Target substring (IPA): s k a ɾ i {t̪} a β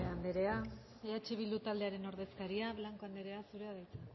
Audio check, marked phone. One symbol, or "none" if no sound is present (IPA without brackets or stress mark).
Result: none